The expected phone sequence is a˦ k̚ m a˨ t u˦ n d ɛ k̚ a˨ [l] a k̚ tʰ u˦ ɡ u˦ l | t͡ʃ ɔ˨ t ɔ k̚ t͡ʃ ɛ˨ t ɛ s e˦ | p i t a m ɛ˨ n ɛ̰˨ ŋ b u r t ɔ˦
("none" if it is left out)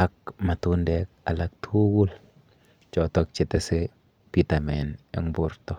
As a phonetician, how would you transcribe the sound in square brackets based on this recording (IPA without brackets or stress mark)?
l